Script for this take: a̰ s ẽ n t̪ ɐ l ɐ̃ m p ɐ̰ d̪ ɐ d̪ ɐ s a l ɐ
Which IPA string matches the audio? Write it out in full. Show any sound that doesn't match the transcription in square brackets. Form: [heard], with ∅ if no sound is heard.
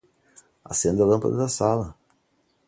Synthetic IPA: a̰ s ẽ n [d̪] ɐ l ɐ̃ m p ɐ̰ d̪ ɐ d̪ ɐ s a l ɐ